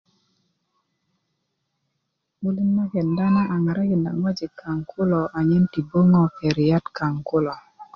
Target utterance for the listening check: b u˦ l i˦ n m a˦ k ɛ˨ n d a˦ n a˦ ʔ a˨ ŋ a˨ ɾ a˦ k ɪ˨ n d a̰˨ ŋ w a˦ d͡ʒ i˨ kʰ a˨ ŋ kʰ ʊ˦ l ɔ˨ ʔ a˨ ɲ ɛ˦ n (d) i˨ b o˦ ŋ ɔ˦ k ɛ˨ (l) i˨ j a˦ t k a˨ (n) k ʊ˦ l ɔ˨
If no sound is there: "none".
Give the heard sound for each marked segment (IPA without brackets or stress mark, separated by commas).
t, ɾ, ŋ